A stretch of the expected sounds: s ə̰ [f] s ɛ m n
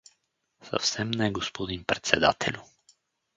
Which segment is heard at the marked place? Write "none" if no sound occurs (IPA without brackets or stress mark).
f